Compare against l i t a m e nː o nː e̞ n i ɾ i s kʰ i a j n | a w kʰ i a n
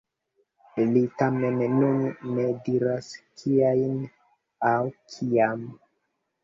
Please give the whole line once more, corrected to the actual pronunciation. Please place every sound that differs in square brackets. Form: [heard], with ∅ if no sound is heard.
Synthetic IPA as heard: l i t a m e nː [u] nː e̞ [d] i ɾ [a] s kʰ i a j n | a w kʰ i a [m]

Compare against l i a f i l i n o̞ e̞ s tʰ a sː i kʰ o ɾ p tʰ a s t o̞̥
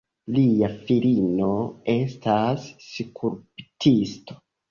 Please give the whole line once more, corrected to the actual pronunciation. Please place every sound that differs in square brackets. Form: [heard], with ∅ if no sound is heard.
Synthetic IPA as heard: l i a f i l i n o̞ e̞ s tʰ a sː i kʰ [u] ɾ p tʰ [i] s t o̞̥

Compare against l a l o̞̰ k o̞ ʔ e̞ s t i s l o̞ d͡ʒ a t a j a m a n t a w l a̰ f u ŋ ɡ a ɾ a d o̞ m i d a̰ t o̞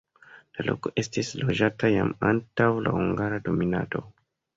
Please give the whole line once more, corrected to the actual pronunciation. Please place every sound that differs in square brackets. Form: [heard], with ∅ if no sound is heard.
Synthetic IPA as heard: l a l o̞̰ k o̞ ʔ e̞ s t i s l o̞ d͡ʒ a t a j a m a n t a w l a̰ [h] u ŋ ɡ a ɾ a d o̞ m i [n] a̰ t o̞

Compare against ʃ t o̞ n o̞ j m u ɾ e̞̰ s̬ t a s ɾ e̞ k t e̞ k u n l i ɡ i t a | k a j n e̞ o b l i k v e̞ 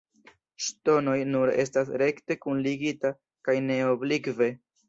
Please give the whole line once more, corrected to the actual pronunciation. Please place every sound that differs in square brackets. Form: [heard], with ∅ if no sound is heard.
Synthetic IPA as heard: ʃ t o̞ n o̞ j [n] u ɾ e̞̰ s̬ t a s ɾ e̞ k t e̞ k u n l i ɡ i t a | k a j n e̞ o b l i k v e̞

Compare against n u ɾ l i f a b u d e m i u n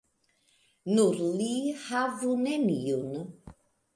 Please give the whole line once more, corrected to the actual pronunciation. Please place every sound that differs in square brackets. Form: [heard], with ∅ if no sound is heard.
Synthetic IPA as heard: n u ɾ l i [h] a [v] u [n] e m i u n

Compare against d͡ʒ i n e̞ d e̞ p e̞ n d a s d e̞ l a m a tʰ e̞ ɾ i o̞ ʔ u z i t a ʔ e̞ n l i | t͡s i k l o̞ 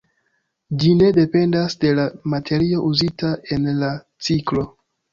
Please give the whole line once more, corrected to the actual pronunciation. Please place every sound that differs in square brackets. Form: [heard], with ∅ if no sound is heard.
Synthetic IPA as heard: d͡ʒ i n e̞ d e̞ p e̞ n d a s d e̞ l a m a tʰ e̞ ɾ i o̞ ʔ u z i t a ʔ e̞ n l [a] | t͡s i k l o̞

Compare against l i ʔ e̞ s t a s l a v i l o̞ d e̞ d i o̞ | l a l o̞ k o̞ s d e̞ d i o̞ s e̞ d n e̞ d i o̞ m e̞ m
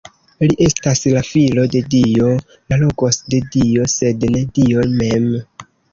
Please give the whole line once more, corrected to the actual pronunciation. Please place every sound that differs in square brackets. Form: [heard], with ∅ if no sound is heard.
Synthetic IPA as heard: l i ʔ e̞ s t a s l a [f] i l o̞ d e̞ d i o̞ | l a l o̞ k o̞ s d e̞ d i o̞ s e̞ d n e̞ d i o̞ m e̞ m

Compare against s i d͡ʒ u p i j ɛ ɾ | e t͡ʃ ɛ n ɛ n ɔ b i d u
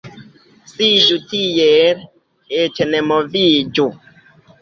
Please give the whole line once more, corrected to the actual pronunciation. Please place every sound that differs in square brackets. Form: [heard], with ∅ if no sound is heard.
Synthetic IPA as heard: s i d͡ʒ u [t] i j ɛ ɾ | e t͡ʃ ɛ n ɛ [m] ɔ [v] i [d͡ʒ] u

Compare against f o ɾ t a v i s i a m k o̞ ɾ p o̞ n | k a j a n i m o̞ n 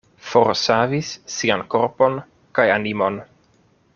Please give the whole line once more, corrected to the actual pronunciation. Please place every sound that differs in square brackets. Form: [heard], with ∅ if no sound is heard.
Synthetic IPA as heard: f o ɾ [s] a v i [sː] i a [n] k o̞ ɾ p o̞ n | k a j a n i m o̞ n

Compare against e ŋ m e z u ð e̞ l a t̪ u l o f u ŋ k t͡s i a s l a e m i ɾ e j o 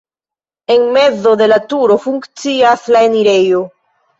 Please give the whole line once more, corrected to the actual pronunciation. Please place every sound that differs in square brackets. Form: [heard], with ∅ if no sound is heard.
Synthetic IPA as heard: e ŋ m e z [o] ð e̞ l a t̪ u [ɾ] o f u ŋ k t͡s i a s l a e [n] i ɾ e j o

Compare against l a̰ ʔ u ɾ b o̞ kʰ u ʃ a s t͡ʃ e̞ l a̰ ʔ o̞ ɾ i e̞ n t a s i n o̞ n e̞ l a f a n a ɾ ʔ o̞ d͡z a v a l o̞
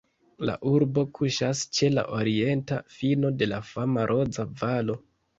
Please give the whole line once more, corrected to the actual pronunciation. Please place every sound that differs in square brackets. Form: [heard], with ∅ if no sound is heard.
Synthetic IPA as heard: l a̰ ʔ u ɾ b o̞ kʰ u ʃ a s t͡ʃ e̞ l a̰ ʔ o̞ ɾ i e̞ n t a [f] i n o̞ [d] e̞ l a f a [m] a ɾ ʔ o̞ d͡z a v a l o̞

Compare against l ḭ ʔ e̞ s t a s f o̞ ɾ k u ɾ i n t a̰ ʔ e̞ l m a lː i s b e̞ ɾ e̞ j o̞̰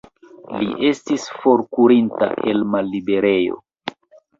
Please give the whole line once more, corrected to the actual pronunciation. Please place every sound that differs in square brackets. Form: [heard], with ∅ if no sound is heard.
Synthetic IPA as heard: l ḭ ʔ e̞ s t [i] s f o̞ ɾ k u ɾ i n t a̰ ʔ e̞ l m a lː i [∅] b e̞ ɾ e̞ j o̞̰

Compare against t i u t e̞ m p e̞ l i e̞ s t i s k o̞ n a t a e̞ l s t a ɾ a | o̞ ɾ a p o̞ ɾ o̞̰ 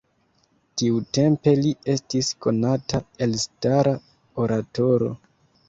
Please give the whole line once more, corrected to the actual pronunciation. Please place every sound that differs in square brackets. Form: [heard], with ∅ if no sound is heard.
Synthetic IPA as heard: t i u t e̞ m p e̞ l i e̞ s t i s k o̞ n a t a e̞ l s t a ɾ a | o̞ ɾ a [t] o̞ ɾ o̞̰

